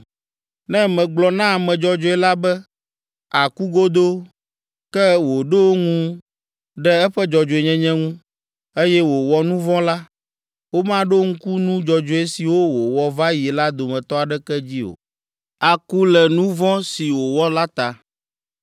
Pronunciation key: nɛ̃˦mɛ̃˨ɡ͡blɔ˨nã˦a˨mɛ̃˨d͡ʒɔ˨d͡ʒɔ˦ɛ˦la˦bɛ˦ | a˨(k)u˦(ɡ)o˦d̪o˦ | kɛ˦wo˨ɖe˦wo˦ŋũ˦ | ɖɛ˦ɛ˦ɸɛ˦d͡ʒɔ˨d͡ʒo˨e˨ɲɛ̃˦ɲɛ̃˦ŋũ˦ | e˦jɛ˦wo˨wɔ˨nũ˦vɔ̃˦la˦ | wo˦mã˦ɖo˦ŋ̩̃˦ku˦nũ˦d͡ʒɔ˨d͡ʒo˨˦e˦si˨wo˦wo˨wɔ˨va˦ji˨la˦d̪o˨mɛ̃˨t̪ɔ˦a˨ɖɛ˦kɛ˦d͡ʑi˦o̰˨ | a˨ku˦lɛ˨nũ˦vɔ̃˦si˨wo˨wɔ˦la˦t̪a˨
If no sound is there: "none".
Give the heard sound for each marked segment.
k, ɡ

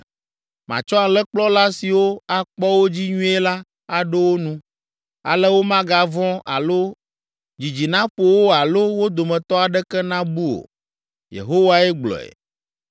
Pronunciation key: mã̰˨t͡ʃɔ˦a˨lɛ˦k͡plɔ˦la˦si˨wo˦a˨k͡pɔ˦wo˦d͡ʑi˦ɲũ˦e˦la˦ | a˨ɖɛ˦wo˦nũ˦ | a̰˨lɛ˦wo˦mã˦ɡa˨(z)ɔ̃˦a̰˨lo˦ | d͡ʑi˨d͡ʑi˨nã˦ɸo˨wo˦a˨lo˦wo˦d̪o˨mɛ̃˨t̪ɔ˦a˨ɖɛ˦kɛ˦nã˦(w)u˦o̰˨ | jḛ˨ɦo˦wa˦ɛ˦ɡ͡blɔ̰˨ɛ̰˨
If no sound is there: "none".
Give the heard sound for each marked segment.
v, b

